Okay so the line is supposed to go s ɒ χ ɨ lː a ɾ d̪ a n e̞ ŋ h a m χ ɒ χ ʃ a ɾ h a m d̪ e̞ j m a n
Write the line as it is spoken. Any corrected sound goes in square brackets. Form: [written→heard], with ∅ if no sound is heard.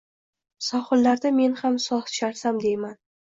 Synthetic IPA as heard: s ɒ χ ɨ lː a ɾ d̪ a [n→m] e̞ [ŋ→n] h a m [χ→s] ɒ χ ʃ a ɾ [h→s] a m d̪ e̞ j m a n